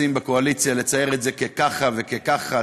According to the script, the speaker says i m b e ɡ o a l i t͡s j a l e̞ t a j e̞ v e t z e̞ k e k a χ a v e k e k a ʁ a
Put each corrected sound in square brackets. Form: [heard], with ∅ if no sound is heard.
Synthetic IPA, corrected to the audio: i m b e [k] o a l i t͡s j a l e̞ [t͡s] a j e̞ [ʁ] e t z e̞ k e k a χ a v e k e k a [χ] a